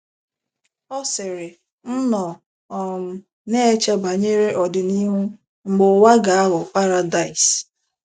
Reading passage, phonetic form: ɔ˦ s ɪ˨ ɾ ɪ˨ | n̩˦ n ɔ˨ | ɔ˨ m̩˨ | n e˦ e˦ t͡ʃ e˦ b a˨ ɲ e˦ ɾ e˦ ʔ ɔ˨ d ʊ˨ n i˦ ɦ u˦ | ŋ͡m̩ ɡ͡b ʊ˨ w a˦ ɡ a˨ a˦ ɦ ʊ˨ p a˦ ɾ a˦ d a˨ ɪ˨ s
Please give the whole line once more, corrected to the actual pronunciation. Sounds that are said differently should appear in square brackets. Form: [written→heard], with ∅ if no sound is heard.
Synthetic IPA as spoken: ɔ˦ s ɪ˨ ɾ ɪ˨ | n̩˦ n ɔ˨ | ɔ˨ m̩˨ | n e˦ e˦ t͡ʃ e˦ b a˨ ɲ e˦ ɾ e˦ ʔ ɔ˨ d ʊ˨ n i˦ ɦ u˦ | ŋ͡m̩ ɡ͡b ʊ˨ w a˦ ɡ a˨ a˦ ɦ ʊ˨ p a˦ ɾ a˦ d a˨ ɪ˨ s

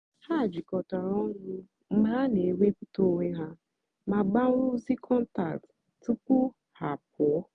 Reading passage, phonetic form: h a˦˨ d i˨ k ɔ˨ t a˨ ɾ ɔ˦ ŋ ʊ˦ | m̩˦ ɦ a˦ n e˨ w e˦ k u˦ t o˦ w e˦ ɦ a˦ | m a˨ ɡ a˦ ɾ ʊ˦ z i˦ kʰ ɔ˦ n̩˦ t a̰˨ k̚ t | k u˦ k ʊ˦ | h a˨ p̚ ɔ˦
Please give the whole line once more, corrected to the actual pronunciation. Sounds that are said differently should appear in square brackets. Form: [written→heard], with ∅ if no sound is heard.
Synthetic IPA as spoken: h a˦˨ [d→d͡ʒ] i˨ k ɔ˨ t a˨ ɾ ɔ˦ ŋ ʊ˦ | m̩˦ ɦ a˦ n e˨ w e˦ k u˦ t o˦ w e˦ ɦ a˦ | m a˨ [ɡ→ɡ͡b] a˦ ɾ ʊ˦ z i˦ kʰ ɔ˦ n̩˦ t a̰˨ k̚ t | [k→t] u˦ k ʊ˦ | h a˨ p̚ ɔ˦

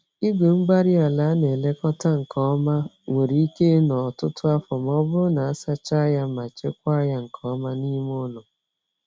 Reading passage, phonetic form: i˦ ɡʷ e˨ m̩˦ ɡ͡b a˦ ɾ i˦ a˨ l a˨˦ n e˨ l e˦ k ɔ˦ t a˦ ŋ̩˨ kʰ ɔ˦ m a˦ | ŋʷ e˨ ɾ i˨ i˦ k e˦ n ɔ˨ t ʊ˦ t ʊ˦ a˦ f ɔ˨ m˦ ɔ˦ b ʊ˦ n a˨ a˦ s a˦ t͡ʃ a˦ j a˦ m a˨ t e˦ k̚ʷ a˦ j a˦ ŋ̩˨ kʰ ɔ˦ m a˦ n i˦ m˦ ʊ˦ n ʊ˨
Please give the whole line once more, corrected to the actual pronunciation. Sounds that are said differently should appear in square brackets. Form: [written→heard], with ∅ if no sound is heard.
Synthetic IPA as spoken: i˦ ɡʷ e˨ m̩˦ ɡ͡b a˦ ɾ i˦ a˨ l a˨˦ n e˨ l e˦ k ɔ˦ t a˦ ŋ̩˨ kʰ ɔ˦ m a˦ | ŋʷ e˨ ɾ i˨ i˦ k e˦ n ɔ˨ t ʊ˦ t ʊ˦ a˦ f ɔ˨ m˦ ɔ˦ b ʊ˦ n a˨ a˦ s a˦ t͡ʃ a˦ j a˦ m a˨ [t→t͡ʃ] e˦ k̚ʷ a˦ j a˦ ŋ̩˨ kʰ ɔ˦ m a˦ n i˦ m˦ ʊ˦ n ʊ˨

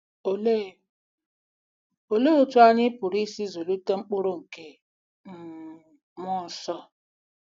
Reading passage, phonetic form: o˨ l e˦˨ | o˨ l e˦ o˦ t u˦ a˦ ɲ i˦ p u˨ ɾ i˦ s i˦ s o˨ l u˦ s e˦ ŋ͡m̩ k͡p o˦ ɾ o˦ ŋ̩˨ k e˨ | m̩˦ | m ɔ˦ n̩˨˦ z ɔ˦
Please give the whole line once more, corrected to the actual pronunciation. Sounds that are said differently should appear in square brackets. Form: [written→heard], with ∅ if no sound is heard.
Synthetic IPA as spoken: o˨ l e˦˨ | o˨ l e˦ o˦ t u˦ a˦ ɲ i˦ p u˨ ɾ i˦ s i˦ [s→z] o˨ l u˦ [s→t] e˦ ŋ͡m̩ k͡p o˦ ɾ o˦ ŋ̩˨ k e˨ | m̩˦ | m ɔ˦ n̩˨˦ [z→s] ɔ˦

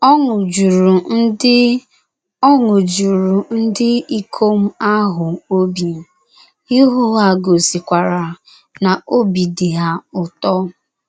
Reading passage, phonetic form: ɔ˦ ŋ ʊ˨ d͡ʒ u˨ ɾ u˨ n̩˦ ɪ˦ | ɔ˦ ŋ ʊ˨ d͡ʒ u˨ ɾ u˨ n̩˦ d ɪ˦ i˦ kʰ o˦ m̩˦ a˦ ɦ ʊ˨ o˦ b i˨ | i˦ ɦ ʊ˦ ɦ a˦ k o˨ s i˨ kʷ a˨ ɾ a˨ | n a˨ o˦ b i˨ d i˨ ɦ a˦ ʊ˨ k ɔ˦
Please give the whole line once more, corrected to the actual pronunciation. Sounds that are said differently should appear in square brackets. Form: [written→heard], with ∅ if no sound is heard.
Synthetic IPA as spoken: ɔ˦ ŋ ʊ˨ d͡ʒ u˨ ɾ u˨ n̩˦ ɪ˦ | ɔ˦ ŋ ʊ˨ d͡ʒ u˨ ɾ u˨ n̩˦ d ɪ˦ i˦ kʰ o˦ m̩˦ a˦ ɦ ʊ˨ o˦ b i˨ | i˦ ɦ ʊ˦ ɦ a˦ [k→ɡ] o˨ s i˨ kʷ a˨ ɾ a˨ | n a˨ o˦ b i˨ d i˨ ɦ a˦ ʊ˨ [k→t] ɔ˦

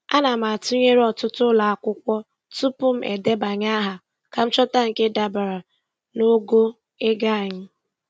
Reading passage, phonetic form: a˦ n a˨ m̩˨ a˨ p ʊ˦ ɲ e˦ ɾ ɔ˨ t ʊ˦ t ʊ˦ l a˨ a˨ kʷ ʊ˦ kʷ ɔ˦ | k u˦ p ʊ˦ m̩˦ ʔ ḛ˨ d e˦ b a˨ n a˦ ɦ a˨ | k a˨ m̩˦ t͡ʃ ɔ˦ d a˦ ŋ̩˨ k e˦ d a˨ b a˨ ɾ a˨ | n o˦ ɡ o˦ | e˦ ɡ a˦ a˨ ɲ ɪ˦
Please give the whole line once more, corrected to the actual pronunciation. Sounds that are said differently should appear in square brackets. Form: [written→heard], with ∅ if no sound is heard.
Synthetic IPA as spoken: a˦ n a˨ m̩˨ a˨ [p→t] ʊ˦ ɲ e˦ ɾ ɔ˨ t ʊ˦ t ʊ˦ l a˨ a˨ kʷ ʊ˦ kʷ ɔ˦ | [k→t] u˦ p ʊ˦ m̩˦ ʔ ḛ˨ d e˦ b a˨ [n→ɲ] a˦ ɦ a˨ | k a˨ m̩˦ t͡ʃ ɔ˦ [d→t] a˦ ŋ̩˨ k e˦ d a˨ b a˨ ɾ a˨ | n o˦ ɡ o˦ | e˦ ɡ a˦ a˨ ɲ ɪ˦

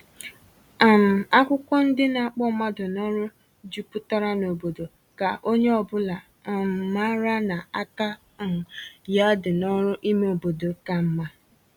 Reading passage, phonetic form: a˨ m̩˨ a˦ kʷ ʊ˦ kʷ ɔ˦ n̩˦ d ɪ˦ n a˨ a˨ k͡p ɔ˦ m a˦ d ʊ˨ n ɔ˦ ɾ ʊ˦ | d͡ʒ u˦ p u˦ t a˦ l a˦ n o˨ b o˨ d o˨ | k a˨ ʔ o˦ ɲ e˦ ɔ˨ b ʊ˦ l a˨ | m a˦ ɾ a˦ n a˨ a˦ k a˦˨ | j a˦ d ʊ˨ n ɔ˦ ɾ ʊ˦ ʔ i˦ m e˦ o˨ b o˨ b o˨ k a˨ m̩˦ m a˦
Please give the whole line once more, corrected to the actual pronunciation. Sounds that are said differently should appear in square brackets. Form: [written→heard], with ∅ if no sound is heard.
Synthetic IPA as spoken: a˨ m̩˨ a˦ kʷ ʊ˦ kʷ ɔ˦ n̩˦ d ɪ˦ n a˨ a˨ k͡p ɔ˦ m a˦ d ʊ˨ n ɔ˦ ɾ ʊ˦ | d͡ʒ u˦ p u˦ t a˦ [l→ɾ] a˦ n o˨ b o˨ d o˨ | k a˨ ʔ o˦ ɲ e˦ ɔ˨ b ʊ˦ l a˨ | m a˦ ɾ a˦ n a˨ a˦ k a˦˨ | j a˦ d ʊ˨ n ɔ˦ ɾ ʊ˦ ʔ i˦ m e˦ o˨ b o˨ [b→d] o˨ k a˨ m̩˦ m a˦

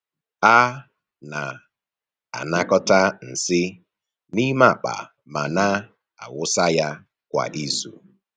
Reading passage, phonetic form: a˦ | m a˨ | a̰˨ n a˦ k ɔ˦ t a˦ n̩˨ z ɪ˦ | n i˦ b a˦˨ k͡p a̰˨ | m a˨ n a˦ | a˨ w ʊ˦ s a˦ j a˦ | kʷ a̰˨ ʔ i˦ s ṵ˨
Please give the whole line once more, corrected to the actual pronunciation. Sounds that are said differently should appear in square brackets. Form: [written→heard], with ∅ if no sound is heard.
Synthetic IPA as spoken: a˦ | [m→n] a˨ | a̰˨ n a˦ k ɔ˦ t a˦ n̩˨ [z→s] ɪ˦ | n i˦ [b→m] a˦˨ k͡p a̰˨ | m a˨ n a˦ | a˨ w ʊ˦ s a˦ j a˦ | kʷ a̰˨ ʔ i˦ [s→z] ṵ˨

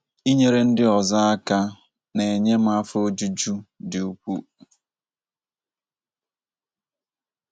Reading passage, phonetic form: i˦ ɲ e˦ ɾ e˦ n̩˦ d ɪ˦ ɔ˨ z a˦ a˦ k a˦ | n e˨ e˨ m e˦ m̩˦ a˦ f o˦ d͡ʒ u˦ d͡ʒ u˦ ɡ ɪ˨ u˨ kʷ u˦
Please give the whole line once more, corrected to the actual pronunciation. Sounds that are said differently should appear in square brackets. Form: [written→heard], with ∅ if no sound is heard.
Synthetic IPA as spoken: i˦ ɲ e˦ ɾ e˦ n̩˦ d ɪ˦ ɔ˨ z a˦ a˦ k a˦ | n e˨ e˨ [m→ɲ] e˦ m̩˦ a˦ f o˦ d͡ʒ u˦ d͡ʒ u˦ [ɡ→d] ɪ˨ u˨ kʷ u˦

